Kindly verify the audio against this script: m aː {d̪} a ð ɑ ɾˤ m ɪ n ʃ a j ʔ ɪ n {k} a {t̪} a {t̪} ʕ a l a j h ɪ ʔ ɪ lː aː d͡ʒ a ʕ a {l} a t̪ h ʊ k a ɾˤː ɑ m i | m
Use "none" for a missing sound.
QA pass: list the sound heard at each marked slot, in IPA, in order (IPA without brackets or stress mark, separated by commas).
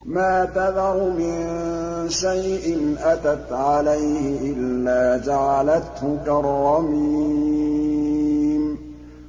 t̪, ʔ, t̪, t̪, l